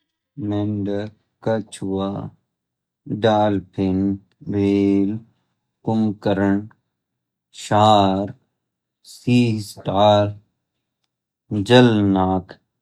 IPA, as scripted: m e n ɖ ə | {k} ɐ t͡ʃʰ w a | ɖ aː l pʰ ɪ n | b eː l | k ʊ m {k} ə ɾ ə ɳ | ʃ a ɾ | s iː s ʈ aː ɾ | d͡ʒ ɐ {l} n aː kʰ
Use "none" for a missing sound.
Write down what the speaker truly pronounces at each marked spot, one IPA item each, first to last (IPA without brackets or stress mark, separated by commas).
k, k, l